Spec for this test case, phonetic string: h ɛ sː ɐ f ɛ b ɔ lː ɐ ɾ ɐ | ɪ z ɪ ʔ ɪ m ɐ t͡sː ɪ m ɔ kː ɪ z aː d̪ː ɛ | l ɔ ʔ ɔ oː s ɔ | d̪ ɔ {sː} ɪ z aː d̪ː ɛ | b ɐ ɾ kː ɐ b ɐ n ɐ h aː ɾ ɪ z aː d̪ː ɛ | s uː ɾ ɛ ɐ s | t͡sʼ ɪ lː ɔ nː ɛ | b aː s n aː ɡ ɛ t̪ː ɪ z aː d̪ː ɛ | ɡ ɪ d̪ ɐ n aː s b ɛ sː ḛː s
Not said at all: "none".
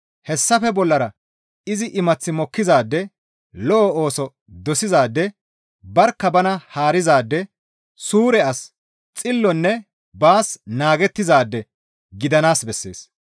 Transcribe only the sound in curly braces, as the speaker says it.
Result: s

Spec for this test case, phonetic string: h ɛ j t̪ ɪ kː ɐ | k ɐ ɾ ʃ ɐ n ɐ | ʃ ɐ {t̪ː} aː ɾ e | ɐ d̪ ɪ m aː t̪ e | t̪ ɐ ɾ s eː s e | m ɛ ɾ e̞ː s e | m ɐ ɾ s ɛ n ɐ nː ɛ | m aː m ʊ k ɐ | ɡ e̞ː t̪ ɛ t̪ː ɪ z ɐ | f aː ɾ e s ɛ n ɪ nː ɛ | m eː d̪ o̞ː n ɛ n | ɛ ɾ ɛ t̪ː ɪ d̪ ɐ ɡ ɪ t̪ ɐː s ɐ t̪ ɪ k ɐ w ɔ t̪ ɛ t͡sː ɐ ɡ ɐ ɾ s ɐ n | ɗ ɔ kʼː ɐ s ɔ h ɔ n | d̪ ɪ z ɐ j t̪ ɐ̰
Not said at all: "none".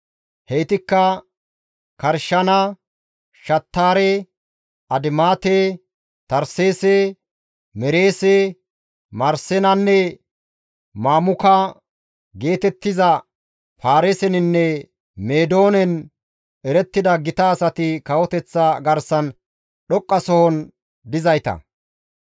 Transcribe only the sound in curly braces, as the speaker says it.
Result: t̪ː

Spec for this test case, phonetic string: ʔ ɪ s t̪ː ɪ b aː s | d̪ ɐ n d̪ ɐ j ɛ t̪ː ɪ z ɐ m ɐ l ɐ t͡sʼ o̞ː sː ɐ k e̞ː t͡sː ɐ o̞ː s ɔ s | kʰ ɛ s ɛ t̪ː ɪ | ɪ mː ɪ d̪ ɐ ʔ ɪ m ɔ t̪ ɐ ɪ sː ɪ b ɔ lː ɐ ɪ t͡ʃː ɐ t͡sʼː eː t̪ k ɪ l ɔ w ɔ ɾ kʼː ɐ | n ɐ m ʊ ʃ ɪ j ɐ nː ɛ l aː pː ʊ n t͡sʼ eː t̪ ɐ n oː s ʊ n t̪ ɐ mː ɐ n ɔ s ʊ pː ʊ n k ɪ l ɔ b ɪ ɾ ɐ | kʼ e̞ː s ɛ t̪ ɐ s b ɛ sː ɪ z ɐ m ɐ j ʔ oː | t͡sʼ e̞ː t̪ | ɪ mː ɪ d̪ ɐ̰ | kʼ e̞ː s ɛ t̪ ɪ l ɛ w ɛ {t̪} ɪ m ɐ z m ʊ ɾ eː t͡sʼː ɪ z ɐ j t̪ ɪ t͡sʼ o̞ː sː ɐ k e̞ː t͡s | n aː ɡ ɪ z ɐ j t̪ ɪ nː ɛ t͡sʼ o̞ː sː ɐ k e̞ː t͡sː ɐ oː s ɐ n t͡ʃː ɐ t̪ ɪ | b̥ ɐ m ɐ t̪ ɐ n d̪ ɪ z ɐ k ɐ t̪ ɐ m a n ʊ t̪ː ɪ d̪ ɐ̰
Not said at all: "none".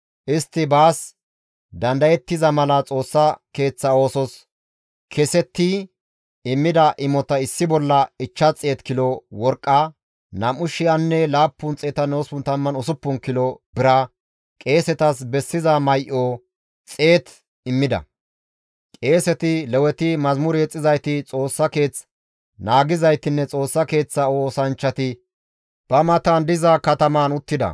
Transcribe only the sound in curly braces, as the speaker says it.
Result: t̪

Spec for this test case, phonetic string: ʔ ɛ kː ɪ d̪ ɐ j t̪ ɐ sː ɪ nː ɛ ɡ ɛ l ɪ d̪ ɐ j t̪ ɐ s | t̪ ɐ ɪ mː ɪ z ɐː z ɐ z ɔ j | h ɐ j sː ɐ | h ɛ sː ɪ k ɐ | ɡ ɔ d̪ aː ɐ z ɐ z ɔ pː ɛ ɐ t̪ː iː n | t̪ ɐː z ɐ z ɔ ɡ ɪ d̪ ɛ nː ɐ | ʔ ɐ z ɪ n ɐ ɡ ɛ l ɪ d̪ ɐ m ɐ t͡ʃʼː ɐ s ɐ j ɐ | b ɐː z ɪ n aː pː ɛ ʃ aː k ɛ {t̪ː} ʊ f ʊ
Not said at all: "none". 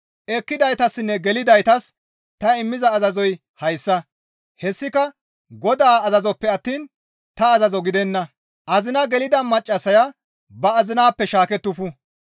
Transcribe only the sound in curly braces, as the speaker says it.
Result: t̪ː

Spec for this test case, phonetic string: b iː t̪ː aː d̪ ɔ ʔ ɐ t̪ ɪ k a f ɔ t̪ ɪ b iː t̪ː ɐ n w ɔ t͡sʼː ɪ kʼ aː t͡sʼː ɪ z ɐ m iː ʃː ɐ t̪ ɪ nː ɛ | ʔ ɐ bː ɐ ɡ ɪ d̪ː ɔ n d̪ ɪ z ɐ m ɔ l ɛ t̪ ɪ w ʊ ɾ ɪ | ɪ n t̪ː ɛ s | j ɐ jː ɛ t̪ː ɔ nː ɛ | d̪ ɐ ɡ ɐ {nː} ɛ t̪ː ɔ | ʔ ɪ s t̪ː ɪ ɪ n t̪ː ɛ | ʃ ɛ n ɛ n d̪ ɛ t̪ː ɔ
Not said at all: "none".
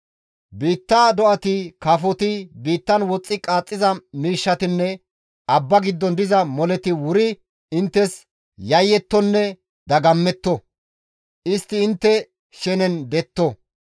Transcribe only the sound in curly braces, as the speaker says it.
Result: mː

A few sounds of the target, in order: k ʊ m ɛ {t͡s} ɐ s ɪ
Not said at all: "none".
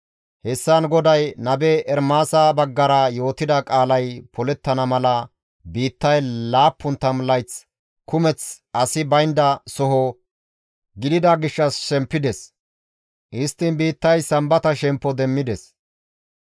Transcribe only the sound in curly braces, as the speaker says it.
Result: t͡s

